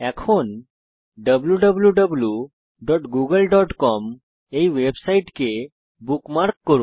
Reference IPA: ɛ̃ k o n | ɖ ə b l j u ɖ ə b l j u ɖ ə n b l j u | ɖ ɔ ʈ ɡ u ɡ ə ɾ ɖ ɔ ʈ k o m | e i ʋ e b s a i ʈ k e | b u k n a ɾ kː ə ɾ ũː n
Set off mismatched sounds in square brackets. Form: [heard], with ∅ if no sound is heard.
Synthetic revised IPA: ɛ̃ [kʰ] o n | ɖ ə b l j u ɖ ə b l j u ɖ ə [∅] b l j u | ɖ ɔ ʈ ɡ u ɡ ə [l] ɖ ɔ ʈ k [ɔ] m | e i ʋ e b s a i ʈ k e | b u k [m] a ɾ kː ə ɾ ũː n